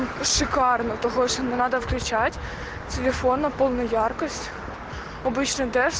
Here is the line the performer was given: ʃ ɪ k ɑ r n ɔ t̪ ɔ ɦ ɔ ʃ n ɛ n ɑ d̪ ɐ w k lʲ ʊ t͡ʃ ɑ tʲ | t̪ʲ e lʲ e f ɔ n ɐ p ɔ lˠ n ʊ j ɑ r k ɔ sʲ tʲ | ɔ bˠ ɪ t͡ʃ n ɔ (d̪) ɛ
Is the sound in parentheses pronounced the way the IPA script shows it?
yes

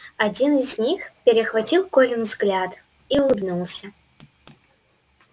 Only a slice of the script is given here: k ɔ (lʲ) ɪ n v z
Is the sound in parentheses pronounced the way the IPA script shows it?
yes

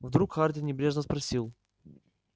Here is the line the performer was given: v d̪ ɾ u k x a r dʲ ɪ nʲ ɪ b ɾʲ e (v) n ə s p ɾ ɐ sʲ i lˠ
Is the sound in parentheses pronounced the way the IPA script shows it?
no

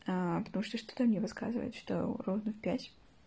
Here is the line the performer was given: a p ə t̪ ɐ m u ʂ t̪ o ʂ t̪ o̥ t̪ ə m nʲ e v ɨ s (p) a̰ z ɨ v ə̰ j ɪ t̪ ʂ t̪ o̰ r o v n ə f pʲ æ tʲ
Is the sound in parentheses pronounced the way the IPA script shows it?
no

